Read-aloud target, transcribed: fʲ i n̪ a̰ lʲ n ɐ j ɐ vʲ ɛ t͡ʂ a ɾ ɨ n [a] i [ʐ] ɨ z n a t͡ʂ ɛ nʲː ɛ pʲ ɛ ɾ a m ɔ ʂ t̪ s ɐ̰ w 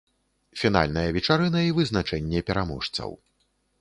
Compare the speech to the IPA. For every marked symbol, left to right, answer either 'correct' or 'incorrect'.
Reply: incorrect, incorrect

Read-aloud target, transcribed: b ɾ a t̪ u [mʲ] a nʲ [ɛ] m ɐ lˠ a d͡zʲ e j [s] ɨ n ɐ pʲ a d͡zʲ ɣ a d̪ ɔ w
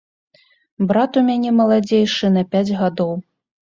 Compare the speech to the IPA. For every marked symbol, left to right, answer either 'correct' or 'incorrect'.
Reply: correct, correct, incorrect

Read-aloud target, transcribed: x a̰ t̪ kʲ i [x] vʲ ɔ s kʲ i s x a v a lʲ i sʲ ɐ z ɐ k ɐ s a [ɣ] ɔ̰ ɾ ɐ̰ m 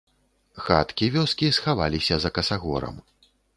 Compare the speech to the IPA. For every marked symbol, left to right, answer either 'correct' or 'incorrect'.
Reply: incorrect, correct

